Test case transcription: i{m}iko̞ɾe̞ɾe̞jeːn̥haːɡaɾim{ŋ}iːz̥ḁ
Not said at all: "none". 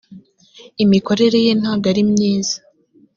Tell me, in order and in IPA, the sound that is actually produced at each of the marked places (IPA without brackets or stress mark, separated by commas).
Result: m, ɲ